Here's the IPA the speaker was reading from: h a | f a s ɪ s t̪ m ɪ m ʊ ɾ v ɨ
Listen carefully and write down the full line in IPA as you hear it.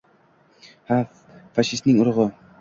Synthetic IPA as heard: h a | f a ʃ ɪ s t̪ n ɪ ŋ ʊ ɾ ʁ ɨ